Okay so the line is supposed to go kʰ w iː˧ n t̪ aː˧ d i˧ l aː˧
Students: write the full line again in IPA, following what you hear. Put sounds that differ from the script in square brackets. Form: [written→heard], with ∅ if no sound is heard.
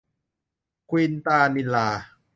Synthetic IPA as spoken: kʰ w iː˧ n t̪ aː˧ [d→n] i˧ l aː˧